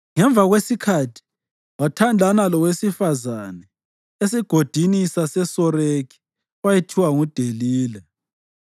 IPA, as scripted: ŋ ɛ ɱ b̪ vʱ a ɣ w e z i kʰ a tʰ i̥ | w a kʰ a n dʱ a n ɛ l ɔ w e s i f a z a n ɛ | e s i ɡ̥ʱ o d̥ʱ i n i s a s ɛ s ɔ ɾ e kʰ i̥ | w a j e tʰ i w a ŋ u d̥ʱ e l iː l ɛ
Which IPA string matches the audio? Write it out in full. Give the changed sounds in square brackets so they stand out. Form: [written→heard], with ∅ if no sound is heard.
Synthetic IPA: ŋ ɛ ɱ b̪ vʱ a ɣ w e [z→s] i kʰ a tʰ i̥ | w a [kʰ→tʰ] a n dʱ a n [ɛ→a] l ɔ w e s i f a z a n ɛ | e s i ɡ̥ʱ o d̥ʱ i n i s a s ɛ s ɔ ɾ e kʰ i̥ | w a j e tʰ i w a ŋ u d̥ʱ e l iː l ɛ